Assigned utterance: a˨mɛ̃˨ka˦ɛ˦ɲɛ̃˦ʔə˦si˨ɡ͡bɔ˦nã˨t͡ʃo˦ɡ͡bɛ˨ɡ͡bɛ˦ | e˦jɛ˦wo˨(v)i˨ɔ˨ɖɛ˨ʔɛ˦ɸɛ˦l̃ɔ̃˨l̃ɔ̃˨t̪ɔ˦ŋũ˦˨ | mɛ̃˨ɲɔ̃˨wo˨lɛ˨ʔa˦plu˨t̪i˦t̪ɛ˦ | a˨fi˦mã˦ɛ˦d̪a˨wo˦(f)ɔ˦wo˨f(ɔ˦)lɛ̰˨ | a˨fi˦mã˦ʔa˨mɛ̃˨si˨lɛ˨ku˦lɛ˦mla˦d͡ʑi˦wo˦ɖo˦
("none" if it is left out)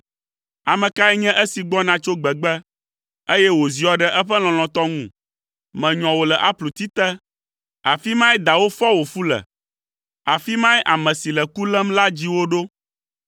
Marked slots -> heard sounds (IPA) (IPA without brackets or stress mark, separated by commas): z, f, u˦